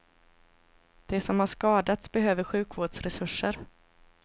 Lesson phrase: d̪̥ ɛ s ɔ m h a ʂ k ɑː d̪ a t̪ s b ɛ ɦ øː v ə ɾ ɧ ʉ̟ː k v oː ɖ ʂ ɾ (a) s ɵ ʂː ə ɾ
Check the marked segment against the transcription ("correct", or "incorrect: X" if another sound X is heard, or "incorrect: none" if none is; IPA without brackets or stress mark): incorrect: ɛ